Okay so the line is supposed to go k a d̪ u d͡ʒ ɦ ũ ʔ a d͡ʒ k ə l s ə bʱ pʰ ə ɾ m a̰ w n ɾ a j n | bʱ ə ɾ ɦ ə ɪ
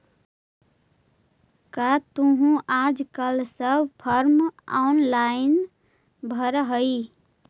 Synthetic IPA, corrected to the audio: k a t̪ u ɦ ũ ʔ a d͡ʒ k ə l s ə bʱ pʰ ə ɾ m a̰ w n l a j n | bʱ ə ɾ ɦ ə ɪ